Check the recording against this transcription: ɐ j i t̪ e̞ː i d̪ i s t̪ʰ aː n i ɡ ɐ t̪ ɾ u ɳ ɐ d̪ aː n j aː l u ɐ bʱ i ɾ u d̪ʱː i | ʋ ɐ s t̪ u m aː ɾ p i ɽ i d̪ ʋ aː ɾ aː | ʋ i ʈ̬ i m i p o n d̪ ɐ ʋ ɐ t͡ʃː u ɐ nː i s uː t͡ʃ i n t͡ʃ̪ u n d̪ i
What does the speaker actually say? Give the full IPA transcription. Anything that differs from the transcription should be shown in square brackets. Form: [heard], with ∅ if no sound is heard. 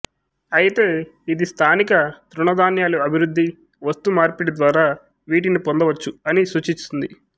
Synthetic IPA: ɐ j i t̪ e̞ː i d̪ i s t̪ʰ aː n i [k] ɐ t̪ ɾ u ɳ ɐ d̪ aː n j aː l u ɐ bʱ i ɾ u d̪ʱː i | ʋ ɐ s t̪ u m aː ɾ p i ɽ i d̪ ʋ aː ɾ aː | ʋ [iː] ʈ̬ i [n] i p o n d̪ ɐ ʋ ɐ t͡ʃː u ɐ [n] i s uː t͡ʃ i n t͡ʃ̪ u n d̪ i